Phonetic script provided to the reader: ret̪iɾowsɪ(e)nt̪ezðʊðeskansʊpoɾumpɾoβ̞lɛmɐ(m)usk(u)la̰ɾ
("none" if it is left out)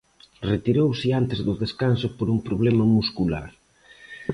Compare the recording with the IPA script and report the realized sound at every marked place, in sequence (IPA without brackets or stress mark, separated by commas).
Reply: a, m, u